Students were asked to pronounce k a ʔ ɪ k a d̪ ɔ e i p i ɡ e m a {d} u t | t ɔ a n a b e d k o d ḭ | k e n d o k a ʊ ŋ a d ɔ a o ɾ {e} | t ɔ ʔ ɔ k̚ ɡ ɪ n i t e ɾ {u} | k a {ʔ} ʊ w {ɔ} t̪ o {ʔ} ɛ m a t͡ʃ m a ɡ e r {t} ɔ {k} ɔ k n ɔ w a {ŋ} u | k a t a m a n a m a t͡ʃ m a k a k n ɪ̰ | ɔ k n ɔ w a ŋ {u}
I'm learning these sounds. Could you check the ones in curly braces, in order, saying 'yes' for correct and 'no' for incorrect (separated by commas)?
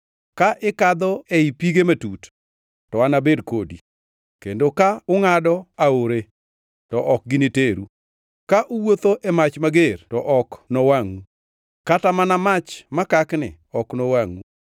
no, yes, yes, yes, no, yes, yes, no, yes, yes